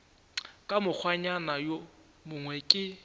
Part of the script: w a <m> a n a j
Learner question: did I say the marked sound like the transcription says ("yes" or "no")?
no